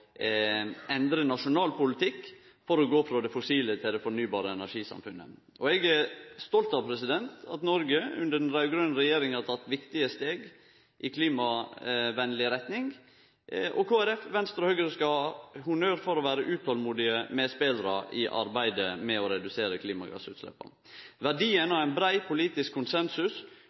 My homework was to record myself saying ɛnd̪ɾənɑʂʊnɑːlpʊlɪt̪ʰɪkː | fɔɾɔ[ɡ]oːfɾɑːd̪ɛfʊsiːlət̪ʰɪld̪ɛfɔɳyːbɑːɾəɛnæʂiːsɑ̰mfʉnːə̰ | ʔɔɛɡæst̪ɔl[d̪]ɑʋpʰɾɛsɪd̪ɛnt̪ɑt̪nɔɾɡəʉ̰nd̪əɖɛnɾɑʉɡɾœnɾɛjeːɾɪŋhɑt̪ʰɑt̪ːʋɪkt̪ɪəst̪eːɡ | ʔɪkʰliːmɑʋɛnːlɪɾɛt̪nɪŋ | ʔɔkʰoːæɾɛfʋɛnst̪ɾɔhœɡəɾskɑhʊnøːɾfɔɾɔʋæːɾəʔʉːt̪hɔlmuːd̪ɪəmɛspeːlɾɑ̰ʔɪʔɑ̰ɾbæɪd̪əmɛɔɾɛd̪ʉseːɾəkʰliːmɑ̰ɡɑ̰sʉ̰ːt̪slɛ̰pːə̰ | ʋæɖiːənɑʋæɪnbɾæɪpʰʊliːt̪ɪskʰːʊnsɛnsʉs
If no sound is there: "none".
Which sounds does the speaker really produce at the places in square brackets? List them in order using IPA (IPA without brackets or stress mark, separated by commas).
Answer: ɡ, t̪